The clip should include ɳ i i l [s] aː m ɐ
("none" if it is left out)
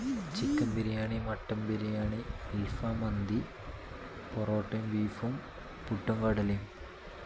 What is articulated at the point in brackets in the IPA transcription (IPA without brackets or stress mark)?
f